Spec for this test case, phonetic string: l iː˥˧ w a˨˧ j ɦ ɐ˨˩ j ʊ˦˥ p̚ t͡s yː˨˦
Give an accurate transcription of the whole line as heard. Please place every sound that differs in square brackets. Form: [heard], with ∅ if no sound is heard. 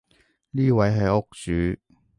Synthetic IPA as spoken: l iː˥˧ w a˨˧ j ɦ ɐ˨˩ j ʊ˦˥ [k̚] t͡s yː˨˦